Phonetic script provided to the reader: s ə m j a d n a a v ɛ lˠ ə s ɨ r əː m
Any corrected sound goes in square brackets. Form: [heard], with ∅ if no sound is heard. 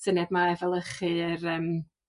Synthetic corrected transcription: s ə [n] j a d [m] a [ɛ] v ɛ lˠ ə [χ] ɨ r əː m

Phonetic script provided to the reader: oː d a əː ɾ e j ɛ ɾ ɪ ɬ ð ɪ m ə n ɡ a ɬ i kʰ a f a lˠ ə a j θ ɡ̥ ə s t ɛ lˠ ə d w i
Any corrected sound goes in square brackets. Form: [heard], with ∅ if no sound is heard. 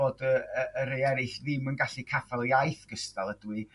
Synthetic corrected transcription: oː d [ə] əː ɾ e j ɛ ɾ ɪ ɬ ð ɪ m ə n ɡ a ɬ i kʰ a f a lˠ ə a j θ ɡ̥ ə s t [a] lˠ ə d w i

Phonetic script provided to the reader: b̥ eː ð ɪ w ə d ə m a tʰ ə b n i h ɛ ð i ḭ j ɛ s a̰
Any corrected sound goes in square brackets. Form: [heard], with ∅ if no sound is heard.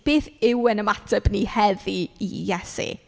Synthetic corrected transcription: b̥ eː [θ] ɪ w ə [n] ə m a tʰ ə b n i h ɛ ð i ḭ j ɛ s [ḭ]

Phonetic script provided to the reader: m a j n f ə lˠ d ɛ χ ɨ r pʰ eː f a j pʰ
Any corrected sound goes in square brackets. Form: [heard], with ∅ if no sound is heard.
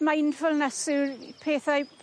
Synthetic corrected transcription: m a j n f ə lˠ [n] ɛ [s] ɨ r pʰ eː [θ] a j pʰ

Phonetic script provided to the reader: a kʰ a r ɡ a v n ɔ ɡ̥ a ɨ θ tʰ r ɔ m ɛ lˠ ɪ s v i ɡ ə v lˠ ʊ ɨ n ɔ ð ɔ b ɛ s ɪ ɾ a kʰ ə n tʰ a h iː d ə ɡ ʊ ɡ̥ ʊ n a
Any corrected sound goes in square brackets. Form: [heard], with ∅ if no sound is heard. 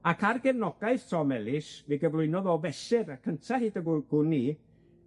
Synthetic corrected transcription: a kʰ a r ɡ [ɛ] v n ɔ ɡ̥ a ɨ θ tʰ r ɔ m ɛ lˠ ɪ s v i ɡ ə v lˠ ʊ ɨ n ɔ ð ɔ [v] ɛ s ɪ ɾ a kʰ ə n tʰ a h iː d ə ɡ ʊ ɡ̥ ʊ n [i]

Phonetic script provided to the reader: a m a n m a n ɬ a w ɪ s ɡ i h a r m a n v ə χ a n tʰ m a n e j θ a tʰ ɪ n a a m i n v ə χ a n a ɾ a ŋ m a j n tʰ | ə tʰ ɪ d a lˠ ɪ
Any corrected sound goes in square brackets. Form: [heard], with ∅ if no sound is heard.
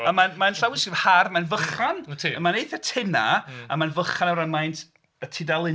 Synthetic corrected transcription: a m a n m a n ɬ a w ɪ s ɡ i h a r m a n v ə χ a n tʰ m a n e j θ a tʰ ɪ n a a m [a] n v ə χ a n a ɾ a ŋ m a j n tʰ | ə tʰ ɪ d a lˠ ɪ

